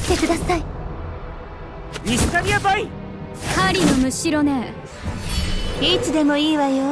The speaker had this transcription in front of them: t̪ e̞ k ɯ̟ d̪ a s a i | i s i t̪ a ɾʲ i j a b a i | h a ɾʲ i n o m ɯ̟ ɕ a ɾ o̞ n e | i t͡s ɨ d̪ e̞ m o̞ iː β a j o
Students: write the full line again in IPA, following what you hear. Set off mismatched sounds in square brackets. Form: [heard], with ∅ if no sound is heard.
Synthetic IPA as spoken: t̪ e̞ k ɯ̟ d̪ a s a i | i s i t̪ a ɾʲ i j a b a i | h a ɾʲ i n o m ɯ̟ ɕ [i] ɾ o̞ n e | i t͡s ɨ d̪ e̞ m o̞ iː β a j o